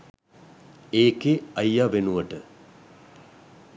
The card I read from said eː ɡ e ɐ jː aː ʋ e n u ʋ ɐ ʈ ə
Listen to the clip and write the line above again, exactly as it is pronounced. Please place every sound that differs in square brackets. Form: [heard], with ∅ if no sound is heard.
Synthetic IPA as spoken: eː [k] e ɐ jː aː ʋ e n u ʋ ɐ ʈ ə